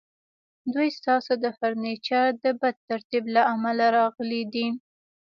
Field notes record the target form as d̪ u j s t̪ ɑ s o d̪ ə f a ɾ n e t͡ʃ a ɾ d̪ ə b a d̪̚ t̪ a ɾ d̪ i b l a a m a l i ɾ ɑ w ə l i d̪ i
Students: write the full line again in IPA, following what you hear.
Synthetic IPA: d̪ u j s t̪ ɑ s o d̪ ə f a ɾ n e t͡ʃ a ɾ d̪ ə b a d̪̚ t̪ a ɾ t̪ i b l a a m a l a ɾ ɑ ɣ ə l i d̪ i